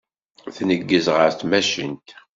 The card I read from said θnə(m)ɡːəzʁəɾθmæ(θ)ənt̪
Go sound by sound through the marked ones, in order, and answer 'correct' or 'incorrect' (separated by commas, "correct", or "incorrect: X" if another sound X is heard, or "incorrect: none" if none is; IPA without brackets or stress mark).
incorrect: none, incorrect: ʃ